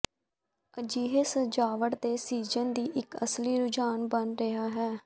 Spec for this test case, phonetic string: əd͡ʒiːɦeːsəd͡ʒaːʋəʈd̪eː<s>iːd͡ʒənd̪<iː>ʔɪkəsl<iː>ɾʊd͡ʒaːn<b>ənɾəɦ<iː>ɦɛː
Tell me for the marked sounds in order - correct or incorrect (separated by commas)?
correct, correct, correct, correct, incorrect